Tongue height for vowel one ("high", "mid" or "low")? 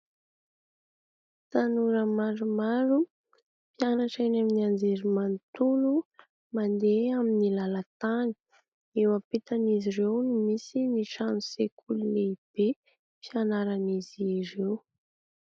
low